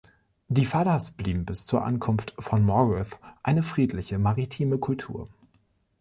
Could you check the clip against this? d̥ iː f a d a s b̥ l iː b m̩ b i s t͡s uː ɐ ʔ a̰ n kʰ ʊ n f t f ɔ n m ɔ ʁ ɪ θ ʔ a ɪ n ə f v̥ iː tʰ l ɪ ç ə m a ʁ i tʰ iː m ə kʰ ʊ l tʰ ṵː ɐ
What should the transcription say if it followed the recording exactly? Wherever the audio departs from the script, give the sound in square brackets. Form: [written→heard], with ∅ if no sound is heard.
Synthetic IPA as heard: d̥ iː f a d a s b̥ l iː b m̩ b [i→ɪ] s t͡s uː ɐ ʔ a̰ n kʰ ʊ n f t f ɔ n m ɔ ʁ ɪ θ ʔ a ɪ n ə f [v̥→ʁ̥] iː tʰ l ɪ ç ə m a ʁ i tʰ iː m ə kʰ ʊ l tʰ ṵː ɐ

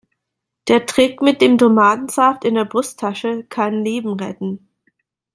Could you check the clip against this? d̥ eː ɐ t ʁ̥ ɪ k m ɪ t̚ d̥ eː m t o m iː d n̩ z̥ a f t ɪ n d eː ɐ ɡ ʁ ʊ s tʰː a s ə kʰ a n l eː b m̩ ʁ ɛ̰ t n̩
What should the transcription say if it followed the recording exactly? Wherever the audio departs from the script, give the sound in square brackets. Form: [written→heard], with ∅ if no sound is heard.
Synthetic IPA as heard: d̥ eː ɐ t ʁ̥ ɪ k m ɪ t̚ d̥ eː m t o m [iː→aː] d n̩ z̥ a f t ɪ n d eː ɐ [ɡ→b] ʁ ʊ s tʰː a [s→ʃ] ə kʰ a n l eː b m̩ ʁ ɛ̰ t n̩

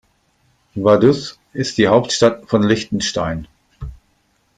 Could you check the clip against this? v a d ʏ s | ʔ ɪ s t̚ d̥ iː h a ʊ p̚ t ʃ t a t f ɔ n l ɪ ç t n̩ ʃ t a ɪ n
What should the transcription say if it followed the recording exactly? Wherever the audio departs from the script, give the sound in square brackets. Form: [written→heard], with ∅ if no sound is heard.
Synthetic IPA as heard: v a d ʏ s | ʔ ɪ s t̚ d̥ iː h a ʊ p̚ t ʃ t a t f ɔ n l ɪ ç t n̩ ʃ t a ɪ n

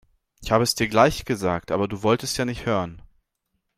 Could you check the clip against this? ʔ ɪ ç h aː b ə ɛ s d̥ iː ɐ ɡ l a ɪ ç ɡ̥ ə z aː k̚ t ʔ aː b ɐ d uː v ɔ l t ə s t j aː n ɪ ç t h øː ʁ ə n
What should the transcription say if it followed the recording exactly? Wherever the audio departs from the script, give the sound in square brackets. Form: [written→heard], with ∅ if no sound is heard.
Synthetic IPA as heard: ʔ ɪ ç h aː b ə ɛ s d̥ iː ɐ ɡ l a ɪ ç ɡ̥ ə z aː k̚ t ʔ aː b ɐ d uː v ɔ l t ə s t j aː n ɪ ç t h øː ʁ ə n

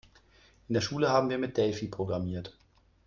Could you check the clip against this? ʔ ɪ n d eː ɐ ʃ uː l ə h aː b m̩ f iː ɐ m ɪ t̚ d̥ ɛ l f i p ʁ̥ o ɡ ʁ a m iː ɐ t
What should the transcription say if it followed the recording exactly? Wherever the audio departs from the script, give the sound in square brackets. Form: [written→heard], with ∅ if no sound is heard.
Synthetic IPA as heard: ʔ ɪ n d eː ɐ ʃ uː l ə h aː b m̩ [f→v] iː ɐ m ɪ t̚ d̥ ɛ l f i p ʁ̥ o ɡ ʁ a m iː ɐ t

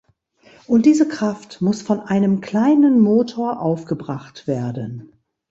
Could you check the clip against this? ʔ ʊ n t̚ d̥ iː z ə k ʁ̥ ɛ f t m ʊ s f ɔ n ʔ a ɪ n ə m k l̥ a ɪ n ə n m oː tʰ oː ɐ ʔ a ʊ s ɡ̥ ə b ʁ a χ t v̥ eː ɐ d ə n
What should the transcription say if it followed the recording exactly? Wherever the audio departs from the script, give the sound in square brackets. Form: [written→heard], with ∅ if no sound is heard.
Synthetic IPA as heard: ʔ ʊ n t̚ d̥ iː z ə k ʁ̥ [ɛ→a] f t m ʊ s f ɔ n ʔ a ɪ n ə m k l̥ a ɪ n ə n m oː tʰ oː ɐ ʔ a ʊ [s→f] ɡ̥ ə b ʁ a χ t v̥ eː ɐ d ə n

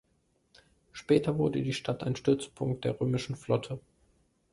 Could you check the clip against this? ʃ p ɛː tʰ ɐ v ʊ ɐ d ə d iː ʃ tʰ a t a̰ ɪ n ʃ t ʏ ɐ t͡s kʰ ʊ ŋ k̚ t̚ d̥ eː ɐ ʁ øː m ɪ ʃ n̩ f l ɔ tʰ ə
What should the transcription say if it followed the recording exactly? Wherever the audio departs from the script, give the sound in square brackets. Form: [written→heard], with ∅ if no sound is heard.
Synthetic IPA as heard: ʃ p ɛː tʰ ɐ v ʊ ɐ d ə d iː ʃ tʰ a t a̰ ɪ n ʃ t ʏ ɐ t͡s [kʰ→pʰ] ʊ ŋ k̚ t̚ d̥ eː ɐ ʁ øː m ɪ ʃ n̩ f l ɔ tʰ ə

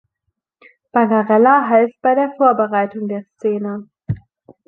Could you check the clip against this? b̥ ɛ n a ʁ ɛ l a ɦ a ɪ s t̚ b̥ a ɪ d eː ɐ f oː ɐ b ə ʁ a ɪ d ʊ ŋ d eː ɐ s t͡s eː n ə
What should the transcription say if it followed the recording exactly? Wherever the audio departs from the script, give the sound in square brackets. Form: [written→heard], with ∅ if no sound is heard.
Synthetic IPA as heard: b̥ [ɛ→a] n a ʁ ɛ l a ɦ a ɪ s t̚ b̥ a ɪ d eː ɐ f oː ɐ b ə ʁ a ɪ [d→t] ʊ ŋ d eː ɐ s t͡s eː n ə

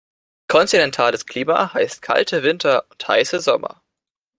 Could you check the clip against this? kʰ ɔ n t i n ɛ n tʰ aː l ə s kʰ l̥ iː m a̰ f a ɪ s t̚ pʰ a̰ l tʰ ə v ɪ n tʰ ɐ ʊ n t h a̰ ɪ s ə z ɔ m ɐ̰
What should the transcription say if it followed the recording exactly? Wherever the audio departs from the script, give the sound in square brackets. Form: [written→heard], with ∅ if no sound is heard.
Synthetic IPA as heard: kʰ ɔ n t i n ɛ n tʰ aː l ə s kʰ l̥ iː m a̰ [f→h] a ɪ s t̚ [pʰ→kʰ] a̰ l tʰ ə v ɪ n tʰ ɐ ʊ n t h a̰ ɪ s ə z ɔ m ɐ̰

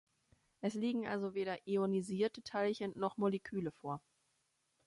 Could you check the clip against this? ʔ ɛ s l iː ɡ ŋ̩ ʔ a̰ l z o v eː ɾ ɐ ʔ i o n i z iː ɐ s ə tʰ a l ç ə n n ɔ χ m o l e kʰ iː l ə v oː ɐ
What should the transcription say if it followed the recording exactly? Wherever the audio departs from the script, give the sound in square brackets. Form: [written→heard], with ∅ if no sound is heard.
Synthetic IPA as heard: ʔ ɛ s l iː ɡ ŋ̩ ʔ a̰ l z o v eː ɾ ɐ ʔ i o n i z iː ɐ [s→t] ə tʰ a l ç ə n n ɔ χ m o l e kʰ [iː→yː] l ə [v→f] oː ɐ

